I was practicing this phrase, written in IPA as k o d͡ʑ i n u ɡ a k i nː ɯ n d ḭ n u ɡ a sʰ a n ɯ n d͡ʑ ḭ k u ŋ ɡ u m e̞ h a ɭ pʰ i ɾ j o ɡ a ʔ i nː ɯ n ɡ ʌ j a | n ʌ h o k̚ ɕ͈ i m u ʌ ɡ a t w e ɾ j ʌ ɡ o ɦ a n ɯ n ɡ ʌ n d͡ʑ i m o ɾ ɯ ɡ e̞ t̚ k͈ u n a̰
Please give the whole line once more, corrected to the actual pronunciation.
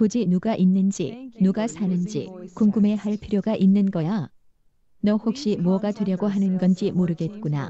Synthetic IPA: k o d͡ʑ i n u ɡ a ʔ i nː ɯ n d͡ʑ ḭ n u ɡ a sʰ a n ɯ n d͡ʑ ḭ k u ŋ ɡ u m e̞ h a ɭ pʰ i ɾ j o ɡ a ʔ i nː ɯ n ɡ ʌ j a | n ʌ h o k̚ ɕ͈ i m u ʌ ɡ a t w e ɾ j ʌ ɡ o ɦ a n ɯ n ɡ ʌ n d͡ʑ i m o ɾ ɯ ɡ e̞ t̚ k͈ u n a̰